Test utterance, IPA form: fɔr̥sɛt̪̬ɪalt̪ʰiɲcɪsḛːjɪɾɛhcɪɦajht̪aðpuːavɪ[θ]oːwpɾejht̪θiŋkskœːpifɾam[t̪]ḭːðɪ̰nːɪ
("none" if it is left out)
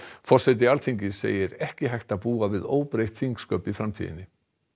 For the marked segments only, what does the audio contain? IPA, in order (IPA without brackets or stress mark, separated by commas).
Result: ð, t̪ʰ